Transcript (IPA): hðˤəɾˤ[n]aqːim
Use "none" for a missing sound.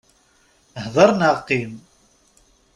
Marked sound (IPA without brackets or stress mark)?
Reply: n